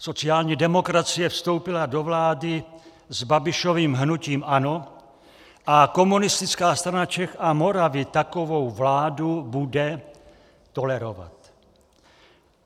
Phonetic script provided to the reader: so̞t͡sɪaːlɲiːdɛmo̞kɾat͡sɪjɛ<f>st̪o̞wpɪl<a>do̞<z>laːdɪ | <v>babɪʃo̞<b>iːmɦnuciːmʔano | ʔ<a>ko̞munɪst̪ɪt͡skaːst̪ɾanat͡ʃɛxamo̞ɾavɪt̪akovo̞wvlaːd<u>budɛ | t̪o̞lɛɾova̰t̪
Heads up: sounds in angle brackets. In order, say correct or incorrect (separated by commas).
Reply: correct, correct, incorrect, incorrect, incorrect, correct, correct